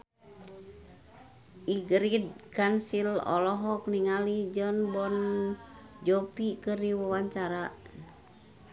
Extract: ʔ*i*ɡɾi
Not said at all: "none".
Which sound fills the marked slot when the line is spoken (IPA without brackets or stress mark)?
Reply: i